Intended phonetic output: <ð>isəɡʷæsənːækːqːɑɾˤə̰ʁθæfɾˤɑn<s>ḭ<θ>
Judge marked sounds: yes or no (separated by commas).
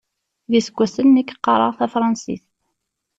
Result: yes, yes, yes